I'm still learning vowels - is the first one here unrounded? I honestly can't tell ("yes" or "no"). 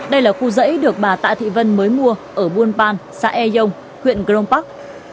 yes